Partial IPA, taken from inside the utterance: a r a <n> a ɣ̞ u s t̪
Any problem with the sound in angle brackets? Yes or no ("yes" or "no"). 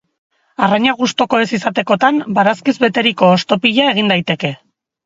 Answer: yes